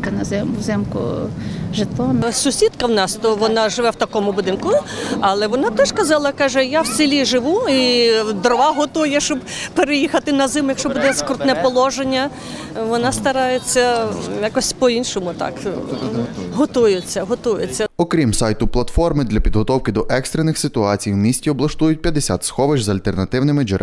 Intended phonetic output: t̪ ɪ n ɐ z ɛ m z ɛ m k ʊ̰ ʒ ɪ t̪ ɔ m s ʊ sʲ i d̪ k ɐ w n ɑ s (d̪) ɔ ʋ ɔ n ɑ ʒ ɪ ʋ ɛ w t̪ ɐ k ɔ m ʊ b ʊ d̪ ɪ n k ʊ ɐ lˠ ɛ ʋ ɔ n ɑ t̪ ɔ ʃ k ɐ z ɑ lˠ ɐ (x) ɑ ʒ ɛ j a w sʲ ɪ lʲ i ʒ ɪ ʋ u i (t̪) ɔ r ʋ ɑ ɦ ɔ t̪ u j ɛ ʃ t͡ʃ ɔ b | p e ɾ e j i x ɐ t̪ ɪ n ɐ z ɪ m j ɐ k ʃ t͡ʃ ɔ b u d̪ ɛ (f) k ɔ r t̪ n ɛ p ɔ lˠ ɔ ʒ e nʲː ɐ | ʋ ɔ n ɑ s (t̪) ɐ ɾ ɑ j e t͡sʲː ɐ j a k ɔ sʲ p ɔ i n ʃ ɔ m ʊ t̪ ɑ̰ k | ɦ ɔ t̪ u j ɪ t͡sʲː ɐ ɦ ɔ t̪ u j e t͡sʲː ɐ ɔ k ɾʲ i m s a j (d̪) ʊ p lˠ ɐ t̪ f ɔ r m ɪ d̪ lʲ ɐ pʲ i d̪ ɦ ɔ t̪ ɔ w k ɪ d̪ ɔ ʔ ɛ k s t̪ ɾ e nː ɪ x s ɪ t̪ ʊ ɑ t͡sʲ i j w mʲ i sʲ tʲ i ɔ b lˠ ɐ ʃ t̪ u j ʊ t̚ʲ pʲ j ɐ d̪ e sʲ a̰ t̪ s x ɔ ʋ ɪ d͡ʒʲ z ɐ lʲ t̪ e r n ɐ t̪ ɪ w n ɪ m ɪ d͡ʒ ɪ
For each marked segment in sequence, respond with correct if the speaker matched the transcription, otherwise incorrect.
incorrect: t̪, incorrect: k, incorrect: d̪, incorrect: s, correct, incorrect: t̪

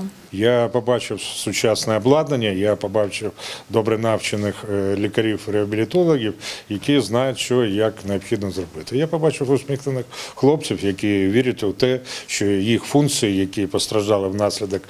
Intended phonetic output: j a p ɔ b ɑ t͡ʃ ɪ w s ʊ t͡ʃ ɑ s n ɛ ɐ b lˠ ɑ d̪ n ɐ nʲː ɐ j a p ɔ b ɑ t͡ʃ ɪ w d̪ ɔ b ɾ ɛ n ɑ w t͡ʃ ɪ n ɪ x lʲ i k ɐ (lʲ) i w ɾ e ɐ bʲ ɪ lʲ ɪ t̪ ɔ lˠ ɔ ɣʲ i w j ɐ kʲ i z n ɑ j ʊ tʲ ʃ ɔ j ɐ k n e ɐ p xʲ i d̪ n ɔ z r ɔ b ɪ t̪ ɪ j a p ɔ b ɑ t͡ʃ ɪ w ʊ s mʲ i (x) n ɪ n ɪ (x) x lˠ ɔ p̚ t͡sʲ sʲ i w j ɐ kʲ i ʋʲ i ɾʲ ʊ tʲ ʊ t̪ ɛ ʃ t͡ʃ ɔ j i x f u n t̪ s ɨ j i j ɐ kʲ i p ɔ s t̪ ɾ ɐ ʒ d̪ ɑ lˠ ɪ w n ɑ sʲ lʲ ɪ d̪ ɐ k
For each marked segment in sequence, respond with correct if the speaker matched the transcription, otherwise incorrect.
incorrect: ɾʲ, correct, correct

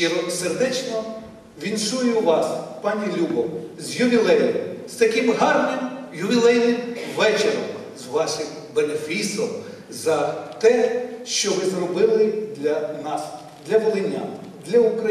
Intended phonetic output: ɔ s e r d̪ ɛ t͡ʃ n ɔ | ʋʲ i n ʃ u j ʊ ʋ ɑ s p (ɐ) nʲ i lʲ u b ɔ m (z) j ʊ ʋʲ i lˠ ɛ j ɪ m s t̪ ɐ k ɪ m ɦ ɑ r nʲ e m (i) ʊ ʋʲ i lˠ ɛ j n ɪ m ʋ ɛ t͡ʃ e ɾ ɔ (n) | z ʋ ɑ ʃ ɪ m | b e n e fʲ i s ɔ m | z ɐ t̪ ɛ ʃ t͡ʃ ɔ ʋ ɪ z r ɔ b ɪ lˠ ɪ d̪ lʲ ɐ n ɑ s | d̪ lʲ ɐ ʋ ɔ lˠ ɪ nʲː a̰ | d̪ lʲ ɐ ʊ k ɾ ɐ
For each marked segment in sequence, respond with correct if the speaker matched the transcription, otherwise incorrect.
incorrect: ɑ, correct, incorrect: j, incorrect: m

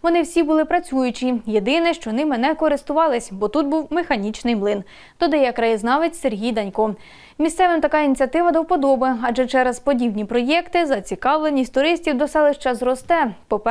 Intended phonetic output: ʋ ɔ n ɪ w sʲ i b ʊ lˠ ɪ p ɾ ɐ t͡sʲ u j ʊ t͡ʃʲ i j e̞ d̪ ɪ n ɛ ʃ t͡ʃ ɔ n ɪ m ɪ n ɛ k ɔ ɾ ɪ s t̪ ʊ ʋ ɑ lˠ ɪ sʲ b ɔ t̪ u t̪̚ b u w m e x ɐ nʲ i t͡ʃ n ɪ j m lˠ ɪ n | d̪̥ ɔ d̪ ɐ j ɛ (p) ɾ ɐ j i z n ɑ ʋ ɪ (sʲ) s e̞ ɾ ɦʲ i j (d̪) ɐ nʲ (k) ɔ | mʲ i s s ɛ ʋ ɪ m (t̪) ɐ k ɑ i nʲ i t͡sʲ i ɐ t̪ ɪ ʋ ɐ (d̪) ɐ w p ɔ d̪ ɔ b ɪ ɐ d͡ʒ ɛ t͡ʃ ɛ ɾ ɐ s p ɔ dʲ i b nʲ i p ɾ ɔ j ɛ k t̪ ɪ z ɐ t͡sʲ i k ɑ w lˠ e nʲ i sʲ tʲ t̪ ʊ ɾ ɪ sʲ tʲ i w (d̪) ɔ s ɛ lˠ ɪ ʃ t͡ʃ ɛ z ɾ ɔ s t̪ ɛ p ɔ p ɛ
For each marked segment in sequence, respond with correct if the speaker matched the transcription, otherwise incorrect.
incorrect: k, incorrect: tʲ, correct, correct, correct, correct, correct

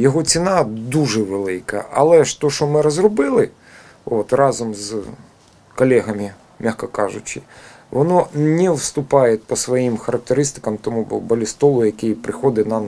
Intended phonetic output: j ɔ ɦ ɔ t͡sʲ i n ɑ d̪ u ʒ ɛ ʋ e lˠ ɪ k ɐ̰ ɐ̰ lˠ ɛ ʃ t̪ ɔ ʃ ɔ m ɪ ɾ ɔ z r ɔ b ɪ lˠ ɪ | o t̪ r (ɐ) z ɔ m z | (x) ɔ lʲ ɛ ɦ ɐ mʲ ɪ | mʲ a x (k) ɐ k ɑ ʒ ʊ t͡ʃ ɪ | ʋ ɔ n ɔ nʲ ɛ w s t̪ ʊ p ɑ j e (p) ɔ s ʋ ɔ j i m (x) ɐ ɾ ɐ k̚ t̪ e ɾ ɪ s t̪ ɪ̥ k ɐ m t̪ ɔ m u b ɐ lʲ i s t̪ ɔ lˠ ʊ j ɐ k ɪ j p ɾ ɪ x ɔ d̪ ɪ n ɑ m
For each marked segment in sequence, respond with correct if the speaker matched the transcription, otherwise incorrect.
incorrect: ɑ, incorrect: k, correct, correct, correct

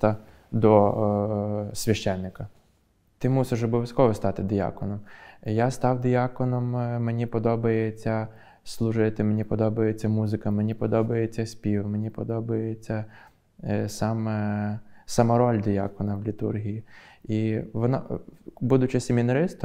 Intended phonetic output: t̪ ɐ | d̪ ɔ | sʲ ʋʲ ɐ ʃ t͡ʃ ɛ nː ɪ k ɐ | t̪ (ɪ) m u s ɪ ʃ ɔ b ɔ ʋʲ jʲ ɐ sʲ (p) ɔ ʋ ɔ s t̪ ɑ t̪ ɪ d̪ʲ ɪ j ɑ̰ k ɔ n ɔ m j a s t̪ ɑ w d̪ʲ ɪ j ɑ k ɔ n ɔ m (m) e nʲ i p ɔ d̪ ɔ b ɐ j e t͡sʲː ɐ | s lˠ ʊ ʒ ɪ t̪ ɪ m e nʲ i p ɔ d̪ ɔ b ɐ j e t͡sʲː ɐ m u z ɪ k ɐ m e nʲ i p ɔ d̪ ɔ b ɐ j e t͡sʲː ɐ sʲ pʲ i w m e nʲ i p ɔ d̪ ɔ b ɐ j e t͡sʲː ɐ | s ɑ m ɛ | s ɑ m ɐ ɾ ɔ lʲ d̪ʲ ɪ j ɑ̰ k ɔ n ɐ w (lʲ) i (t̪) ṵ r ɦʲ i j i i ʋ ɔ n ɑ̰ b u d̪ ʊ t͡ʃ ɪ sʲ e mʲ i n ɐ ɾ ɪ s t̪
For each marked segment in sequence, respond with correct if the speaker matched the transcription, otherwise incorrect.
correct, incorrect: k, correct, correct, correct

